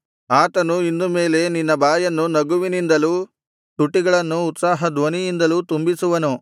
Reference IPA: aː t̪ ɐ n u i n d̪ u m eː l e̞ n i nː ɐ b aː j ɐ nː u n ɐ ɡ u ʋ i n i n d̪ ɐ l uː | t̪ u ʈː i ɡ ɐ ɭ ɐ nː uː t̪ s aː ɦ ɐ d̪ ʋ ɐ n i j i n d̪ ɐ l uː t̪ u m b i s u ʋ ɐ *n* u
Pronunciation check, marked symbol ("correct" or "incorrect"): correct